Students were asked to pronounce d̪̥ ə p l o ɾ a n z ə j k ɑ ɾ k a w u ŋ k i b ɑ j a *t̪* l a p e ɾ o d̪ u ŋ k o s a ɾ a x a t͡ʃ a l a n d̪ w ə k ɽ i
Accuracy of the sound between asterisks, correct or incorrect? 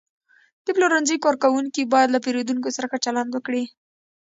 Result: incorrect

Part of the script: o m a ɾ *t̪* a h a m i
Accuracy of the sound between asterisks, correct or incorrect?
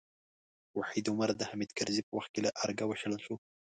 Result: incorrect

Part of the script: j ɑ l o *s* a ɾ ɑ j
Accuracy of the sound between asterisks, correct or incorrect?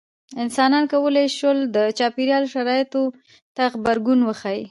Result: incorrect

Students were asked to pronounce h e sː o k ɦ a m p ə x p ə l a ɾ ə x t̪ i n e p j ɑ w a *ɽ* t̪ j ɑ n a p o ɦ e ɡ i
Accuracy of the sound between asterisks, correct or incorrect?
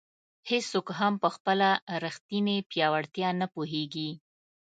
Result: correct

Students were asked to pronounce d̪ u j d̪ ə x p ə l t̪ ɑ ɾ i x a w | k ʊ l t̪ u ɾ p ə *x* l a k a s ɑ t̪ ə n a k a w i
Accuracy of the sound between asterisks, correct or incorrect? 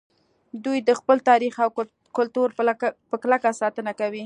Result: incorrect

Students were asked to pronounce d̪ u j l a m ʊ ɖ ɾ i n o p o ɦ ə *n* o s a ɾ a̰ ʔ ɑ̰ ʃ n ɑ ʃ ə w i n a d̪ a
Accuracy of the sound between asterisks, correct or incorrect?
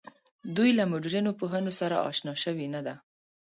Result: correct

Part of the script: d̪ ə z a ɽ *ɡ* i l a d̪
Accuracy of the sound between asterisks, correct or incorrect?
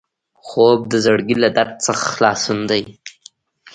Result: correct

